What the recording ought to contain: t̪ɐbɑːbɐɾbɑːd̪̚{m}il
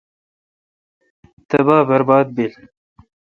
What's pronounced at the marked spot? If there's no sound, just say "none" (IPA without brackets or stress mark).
b